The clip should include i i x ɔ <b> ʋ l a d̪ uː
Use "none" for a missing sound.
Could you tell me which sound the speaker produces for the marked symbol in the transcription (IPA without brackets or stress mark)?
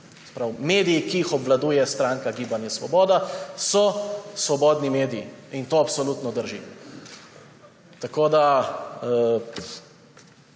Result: b